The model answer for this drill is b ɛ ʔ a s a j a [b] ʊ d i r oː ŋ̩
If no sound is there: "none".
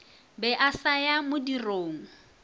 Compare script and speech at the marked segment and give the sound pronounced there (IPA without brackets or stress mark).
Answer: m